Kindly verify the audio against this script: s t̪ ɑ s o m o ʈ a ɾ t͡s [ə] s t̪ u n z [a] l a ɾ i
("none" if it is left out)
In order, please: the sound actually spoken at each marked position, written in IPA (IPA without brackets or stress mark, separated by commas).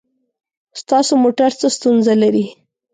ə, a